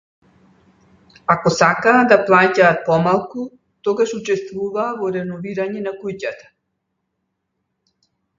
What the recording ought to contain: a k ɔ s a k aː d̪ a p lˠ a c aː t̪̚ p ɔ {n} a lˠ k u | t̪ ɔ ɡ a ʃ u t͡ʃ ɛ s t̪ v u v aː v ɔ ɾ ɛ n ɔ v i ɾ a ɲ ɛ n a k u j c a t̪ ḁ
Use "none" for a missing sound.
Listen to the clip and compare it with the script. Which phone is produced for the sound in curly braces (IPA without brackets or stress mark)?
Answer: m